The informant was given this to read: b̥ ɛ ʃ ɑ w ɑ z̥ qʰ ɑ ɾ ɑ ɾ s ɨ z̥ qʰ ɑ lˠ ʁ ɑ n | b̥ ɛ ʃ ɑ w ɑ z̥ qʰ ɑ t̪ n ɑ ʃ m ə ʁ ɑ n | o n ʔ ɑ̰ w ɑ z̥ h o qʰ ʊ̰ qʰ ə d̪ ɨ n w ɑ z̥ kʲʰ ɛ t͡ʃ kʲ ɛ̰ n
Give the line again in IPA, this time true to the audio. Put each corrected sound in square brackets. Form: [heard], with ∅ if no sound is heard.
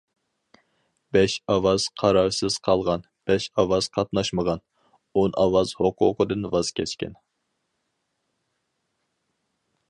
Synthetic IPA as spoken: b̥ ɛ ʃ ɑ w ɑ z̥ qʰ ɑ ɾ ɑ ɾ s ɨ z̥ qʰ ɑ lˠ ʁ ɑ n | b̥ ɛ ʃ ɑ w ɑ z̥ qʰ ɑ t̪ n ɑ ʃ m ə ʁ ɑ n | o n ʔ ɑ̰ w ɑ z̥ h o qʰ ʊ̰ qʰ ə d̪ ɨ n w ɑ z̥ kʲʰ ɛ t͡ʃ kʲ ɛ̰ n